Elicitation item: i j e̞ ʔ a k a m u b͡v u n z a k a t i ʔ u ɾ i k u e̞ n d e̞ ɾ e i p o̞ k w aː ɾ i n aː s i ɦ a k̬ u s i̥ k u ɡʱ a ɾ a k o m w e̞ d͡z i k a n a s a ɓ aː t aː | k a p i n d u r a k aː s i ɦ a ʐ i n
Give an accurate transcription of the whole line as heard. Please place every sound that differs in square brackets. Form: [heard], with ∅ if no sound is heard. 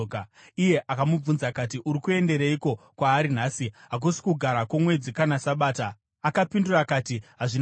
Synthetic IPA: i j e̞ ʔ a k a m u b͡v u n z a k a t i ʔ u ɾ i k u e̞ n d e̞ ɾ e i [k] o̞ k w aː ɾ i n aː s i ɦ a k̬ u s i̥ k u ɡʱ a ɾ a k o m w e̞ d͡z i k a n a s a ɓ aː t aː | k a p i n d u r a k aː [t] i ɦ a ʐ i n